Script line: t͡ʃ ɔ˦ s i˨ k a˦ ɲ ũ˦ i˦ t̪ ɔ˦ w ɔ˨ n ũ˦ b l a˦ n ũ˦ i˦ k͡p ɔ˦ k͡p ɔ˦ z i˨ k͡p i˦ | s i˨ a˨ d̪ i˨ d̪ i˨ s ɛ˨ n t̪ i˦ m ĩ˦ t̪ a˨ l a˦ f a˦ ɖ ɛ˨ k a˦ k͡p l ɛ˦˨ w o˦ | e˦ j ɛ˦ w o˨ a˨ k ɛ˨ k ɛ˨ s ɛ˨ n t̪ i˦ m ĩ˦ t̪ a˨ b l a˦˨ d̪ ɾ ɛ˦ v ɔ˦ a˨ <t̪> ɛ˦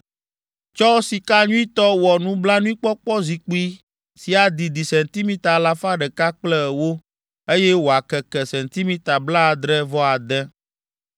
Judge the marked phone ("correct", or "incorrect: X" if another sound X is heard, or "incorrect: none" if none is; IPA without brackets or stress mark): incorrect: d̪